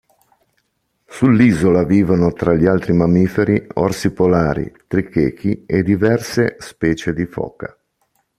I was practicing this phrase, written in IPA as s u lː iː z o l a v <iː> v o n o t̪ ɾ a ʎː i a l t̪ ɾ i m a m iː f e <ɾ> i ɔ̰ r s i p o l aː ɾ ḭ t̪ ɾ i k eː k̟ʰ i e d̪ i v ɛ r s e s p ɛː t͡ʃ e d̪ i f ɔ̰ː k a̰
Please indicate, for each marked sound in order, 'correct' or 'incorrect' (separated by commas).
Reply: correct, correct